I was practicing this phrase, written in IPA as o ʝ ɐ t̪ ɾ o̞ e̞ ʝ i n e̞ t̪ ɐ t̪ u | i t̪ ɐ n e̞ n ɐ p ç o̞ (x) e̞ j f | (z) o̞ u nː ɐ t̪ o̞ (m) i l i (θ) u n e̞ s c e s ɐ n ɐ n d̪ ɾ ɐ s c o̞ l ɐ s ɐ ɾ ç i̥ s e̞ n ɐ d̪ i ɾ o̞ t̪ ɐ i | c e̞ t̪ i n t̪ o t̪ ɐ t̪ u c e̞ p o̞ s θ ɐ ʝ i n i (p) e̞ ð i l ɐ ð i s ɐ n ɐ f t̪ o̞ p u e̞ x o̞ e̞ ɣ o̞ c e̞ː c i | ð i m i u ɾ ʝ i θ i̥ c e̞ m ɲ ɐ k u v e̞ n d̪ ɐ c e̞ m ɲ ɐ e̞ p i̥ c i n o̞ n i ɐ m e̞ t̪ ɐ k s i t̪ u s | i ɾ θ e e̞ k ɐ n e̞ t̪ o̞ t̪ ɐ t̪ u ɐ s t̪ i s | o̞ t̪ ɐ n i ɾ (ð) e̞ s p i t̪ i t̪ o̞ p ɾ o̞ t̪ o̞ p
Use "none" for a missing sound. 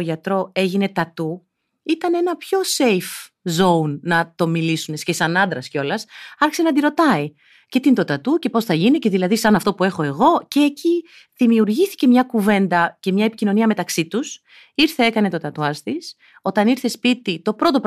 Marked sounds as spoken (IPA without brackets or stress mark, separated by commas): s, z, m, s, c, θ